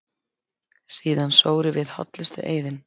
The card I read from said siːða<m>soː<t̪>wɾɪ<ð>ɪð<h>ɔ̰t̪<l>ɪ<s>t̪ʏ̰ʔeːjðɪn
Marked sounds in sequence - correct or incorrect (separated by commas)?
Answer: incorrect, incorrect, incorrect, correct, correct, correct